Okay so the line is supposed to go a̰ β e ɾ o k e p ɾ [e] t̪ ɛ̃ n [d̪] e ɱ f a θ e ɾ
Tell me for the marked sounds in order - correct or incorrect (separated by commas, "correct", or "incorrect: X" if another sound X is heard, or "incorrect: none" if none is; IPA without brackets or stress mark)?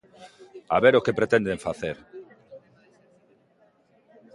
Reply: correct, correct